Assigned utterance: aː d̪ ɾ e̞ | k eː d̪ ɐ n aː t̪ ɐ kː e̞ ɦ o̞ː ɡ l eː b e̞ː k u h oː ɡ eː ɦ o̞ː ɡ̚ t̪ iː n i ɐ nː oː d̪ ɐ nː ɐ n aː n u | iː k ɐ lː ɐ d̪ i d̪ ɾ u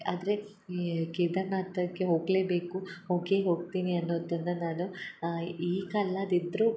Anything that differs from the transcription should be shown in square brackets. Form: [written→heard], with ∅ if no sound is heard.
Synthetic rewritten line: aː d̪ ɾ e̞ | k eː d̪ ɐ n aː t̪ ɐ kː e̞ ɦ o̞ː ɡ l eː b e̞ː k u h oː ɡ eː ɦ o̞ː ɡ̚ t̪ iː n i ɐ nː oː d̪ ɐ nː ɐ n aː n u | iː k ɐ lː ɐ d̪ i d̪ ɾ u